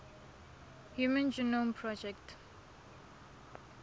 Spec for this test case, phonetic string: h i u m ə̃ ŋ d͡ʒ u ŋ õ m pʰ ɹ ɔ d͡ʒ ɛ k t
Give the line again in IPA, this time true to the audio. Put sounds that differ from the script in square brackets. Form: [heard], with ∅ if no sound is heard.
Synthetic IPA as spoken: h [j] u m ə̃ [n] d͡ʒ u [n] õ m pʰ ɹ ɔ d͡ʒ ɛ k t